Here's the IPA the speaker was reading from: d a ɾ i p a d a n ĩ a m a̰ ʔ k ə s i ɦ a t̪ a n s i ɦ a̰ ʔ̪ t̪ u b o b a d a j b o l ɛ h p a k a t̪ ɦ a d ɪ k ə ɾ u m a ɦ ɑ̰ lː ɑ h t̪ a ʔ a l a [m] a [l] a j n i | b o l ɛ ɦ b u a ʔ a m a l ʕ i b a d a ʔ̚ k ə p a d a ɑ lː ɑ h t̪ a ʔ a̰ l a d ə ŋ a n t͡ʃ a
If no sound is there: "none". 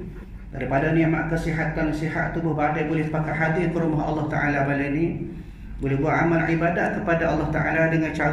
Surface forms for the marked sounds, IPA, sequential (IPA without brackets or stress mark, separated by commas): b, l